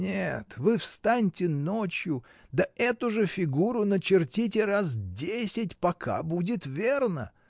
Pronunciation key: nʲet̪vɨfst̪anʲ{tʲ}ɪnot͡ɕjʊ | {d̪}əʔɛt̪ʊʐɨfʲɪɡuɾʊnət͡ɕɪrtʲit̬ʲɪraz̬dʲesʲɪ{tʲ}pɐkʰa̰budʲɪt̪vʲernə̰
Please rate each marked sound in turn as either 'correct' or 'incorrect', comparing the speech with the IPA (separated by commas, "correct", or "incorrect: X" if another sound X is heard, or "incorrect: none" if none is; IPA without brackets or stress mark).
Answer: correct, correct, correct